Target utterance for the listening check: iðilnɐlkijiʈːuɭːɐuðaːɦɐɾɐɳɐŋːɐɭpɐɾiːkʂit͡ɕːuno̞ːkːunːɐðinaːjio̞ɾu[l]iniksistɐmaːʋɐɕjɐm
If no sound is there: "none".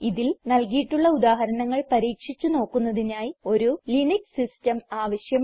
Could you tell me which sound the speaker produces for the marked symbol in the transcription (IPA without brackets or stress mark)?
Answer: l